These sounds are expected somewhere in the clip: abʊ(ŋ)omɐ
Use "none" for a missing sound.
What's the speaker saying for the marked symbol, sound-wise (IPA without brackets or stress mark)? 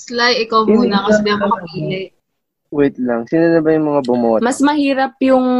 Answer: m